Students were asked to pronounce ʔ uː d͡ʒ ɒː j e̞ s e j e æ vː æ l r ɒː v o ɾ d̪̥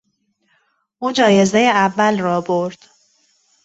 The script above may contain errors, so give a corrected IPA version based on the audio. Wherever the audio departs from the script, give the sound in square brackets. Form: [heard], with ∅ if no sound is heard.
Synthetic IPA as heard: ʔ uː d͡ʒ ɒː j e̞ [z] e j e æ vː æ l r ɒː [b] o ɾ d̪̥